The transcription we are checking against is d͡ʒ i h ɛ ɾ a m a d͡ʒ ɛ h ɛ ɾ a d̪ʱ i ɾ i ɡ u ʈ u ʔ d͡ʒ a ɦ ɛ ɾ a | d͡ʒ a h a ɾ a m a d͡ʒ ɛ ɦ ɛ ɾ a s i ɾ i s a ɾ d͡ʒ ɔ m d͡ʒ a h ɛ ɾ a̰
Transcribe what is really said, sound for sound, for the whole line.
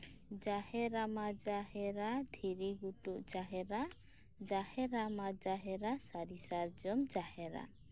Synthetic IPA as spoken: d͡ʒ a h ɛ ɾ a m a d͡ʒ a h ɛ ɾ a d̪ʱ i ɾ i ɡ u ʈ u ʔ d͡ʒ a ɦ ɛ ɾ a | d͡ʒ a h ɛ ɾ a m a d͡ʒ a ɦ ɛ ɾ a s a ɾ i s a ɾ d͡ʒ ɔ m d͡ʒ a h ɛ ɾ a̰